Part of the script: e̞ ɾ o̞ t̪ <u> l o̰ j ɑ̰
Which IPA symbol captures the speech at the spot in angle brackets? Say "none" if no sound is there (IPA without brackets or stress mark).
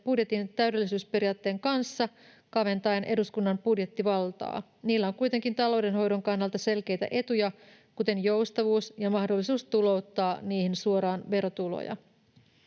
u